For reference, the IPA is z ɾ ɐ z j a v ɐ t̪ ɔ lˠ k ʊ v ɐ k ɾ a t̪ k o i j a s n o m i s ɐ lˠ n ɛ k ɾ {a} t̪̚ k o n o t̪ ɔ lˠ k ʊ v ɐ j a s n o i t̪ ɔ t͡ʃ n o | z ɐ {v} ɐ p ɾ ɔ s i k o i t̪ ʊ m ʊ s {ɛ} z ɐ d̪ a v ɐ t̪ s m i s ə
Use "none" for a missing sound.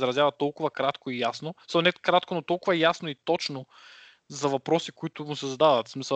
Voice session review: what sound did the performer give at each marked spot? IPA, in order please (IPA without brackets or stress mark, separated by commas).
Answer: a, v, ɛ